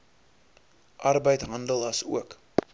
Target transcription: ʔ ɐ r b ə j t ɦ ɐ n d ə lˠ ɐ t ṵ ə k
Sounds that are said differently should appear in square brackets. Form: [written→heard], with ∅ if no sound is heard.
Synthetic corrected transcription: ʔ ɐ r b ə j t ɦ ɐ n d ə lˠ ɐ [t→s] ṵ ə k

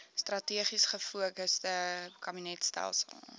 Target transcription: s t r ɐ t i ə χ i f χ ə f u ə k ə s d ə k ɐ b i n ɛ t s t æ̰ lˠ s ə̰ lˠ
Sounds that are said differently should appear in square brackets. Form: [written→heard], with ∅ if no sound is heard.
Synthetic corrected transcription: s t r ɐ t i ə χ i [f→s] χ ə f u ə k ə s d ə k ɐ b i n ɛ t s t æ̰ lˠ s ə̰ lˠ

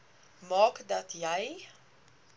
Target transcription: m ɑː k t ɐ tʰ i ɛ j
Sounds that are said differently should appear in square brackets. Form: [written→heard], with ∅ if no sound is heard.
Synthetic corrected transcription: m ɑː k [t→d] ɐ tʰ [i→j] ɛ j

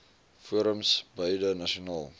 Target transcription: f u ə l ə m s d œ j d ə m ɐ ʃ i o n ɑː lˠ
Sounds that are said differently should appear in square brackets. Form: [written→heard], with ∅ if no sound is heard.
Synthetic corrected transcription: f u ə [l→ɾ] ə m s [d→b] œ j d ə [m→n] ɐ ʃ i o n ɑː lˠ

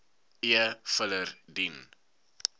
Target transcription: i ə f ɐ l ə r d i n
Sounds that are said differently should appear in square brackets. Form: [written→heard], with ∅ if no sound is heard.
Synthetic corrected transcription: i ə f [ɐ→ə] l ə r d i n

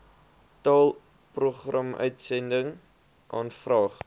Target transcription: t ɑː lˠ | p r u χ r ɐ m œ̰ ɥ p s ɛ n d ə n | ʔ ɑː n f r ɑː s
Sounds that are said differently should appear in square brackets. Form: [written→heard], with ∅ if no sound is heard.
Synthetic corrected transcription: t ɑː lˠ | p r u χ r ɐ m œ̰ ɥ [p→t] s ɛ n d ə [n→ŋ] | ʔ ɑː n f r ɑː [s→χ]

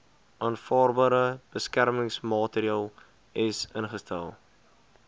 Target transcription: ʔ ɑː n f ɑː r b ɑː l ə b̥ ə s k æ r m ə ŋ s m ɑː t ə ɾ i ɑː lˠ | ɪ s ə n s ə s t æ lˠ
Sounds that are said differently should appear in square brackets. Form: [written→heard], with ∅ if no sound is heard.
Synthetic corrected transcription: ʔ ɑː n f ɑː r b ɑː [l→ɾ] ə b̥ ə s k æ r m ə ŋ s m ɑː t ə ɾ i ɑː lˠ | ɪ s ə n [s→χ] ə s t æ lˠ

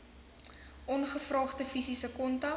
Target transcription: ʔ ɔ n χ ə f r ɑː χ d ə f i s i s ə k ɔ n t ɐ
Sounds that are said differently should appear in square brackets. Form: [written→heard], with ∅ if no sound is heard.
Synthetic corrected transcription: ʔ ɔ n χ ə f r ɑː χ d ə f i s i s ə k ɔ n t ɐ

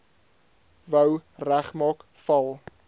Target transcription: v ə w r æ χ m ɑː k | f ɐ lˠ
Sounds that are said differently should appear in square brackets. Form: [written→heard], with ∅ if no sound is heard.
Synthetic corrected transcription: v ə w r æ χ m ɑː k | f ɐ lˠ

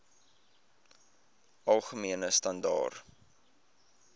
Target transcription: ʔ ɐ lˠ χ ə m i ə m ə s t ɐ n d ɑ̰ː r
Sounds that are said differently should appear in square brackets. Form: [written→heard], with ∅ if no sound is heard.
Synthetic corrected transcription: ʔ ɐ lˠ χ ə m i ə [m→n] ə s t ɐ n d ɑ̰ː r

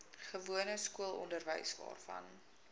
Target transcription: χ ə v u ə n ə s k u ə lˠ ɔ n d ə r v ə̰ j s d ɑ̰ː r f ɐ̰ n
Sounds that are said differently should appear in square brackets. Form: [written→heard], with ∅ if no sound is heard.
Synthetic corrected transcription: χ ə v u ə n ə s k u ə lˠ ɔ n d ə r v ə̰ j s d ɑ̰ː r f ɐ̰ n

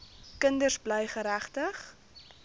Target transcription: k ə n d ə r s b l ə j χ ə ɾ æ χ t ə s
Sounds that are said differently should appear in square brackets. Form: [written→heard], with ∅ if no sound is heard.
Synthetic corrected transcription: k ə n d ə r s b l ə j χ ə ɾ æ χ t ə [s→χ]

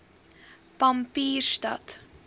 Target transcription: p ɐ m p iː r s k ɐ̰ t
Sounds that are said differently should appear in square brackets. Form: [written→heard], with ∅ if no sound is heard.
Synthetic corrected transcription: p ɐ m p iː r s [k→t] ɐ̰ t

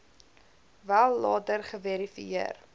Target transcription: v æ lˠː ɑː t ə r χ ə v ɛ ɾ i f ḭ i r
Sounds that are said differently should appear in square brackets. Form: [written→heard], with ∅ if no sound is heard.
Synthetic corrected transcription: v æ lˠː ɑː t ə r χ ə v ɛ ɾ i f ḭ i r

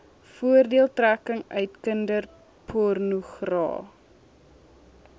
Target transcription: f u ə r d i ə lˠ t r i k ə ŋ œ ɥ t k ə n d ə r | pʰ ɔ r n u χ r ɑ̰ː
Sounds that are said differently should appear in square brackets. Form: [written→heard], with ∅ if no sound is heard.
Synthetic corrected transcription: f u ə r d i ə lˠ t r [i→æ] k ə ŋ œ ɥ t k ə n d ə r | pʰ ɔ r n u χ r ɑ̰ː

